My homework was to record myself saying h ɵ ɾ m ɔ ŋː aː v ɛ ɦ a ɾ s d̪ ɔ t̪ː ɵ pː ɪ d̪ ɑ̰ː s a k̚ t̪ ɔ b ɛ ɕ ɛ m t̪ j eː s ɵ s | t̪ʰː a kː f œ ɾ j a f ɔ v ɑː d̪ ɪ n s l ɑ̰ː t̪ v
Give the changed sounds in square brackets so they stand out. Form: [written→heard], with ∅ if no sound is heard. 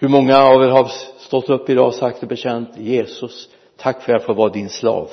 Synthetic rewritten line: h ɵ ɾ m ɔ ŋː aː v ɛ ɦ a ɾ s [d̪→t̪] ɔ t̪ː ɵ pː ɪ d̪ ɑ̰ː s a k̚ t̪ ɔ b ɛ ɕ ɛ [m→n] t̪ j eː s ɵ s | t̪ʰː a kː f œ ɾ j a f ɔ v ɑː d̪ ɪ n s l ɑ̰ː [t̪→∅] v